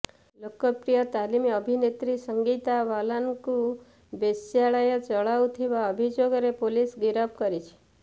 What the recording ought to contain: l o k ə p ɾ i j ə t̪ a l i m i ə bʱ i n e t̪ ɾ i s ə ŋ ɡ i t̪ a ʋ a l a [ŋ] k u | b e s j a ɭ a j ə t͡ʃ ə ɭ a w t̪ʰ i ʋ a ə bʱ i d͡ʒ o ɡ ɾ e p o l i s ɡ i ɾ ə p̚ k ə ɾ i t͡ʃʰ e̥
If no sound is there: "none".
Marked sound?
n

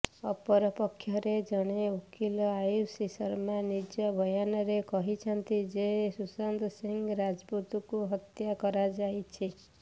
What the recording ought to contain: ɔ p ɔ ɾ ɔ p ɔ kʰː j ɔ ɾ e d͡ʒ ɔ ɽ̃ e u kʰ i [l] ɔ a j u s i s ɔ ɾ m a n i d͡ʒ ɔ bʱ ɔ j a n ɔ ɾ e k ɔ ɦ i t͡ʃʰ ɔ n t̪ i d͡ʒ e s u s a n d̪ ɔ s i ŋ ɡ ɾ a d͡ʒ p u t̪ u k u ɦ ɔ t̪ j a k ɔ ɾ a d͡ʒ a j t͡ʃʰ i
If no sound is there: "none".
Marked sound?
l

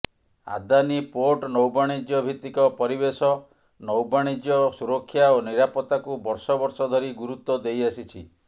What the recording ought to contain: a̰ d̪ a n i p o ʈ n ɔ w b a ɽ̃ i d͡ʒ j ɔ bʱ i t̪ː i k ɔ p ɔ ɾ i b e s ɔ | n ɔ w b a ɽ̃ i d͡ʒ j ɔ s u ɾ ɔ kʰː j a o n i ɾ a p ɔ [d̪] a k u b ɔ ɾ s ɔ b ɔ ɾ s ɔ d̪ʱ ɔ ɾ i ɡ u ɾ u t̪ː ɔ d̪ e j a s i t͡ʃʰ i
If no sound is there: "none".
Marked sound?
t̪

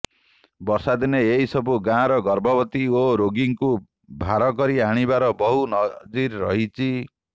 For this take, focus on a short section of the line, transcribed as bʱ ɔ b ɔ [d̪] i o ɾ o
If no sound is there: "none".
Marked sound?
t̪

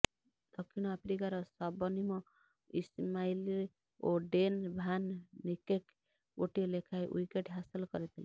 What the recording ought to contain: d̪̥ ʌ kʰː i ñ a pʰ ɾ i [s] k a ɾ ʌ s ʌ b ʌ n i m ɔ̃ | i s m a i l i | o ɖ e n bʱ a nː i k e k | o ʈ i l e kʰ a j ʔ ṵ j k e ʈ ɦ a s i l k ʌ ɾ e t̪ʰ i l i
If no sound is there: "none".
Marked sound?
none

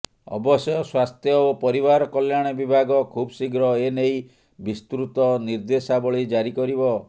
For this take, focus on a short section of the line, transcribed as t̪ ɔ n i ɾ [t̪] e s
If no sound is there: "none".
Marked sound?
d̪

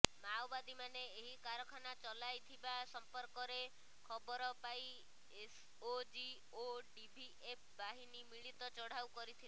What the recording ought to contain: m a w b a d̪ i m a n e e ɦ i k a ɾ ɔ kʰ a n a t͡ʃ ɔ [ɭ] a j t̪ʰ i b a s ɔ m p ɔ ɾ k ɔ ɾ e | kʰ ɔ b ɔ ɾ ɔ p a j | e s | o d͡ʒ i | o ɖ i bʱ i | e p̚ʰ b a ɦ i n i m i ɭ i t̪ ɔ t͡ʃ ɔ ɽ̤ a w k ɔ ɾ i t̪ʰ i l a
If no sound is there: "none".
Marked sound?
l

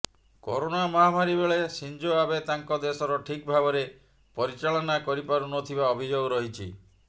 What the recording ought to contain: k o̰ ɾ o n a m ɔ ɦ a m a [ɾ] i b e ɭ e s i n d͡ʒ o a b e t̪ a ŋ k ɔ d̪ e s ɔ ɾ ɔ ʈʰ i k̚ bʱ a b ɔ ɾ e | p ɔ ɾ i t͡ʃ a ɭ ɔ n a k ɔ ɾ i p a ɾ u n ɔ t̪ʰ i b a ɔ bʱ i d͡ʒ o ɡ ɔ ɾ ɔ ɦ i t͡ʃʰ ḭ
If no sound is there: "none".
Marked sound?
ɾ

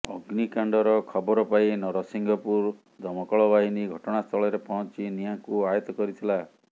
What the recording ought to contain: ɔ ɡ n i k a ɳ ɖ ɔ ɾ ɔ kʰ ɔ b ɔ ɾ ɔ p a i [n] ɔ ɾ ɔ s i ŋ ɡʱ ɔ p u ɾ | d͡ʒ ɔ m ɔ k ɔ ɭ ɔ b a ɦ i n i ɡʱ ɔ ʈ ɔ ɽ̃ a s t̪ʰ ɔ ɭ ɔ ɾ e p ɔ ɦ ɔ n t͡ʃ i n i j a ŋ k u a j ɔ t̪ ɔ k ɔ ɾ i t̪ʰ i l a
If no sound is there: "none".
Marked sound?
n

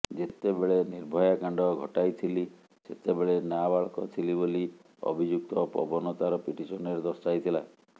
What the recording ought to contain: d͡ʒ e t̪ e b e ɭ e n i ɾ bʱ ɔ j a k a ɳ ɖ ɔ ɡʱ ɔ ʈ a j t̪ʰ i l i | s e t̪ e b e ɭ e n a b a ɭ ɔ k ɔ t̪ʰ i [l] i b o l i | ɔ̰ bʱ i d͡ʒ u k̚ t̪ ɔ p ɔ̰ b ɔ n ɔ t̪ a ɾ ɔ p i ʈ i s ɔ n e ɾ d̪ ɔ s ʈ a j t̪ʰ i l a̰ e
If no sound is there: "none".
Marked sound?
l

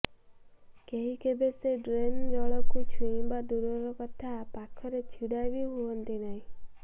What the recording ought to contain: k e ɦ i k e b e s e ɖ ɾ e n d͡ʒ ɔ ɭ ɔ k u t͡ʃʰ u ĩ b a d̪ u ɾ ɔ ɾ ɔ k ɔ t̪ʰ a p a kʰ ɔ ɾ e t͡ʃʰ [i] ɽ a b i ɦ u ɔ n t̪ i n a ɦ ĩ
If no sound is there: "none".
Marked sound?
i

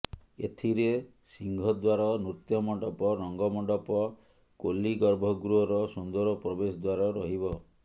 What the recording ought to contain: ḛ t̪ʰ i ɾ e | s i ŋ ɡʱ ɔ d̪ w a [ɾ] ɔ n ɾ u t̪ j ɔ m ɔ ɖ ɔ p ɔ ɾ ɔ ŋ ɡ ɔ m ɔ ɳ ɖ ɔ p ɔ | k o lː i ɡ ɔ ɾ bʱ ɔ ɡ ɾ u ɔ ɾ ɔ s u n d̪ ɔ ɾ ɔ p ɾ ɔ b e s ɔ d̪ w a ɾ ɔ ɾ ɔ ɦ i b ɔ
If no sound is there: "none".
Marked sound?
ɾ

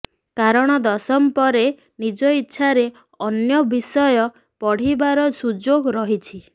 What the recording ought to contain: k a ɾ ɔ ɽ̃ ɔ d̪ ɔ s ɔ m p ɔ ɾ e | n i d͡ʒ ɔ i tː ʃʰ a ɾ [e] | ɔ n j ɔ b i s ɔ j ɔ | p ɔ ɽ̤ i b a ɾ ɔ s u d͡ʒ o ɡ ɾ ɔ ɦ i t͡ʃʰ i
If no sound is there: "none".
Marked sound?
e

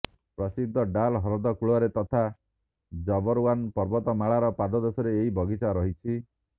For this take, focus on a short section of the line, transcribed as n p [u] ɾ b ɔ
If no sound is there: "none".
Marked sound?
ɔ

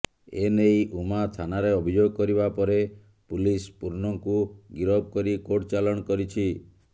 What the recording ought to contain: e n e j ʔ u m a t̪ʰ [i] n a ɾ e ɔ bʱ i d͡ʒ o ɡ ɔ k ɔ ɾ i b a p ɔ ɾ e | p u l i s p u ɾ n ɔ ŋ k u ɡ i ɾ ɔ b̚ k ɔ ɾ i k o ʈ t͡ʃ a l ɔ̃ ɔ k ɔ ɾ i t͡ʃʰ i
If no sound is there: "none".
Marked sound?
a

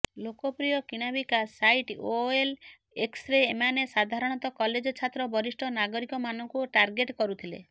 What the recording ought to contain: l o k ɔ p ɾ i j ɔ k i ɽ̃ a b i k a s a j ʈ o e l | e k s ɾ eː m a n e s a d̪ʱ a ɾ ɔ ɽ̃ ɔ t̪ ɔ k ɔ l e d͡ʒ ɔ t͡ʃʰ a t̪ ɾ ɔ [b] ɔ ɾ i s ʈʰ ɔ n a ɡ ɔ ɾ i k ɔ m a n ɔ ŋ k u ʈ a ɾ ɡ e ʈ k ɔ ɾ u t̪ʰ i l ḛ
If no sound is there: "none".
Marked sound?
b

